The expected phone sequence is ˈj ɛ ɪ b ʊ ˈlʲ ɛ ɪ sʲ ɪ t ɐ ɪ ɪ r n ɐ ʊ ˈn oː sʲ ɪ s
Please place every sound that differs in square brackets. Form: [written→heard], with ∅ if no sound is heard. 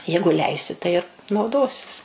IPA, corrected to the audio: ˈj ɛ ɪ [b→ɡ] ʊ ˈlʲ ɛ ɪ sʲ ɪ t ɐ ɪ ɪ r n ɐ ʊ [ˈn→ˈd] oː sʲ ɪ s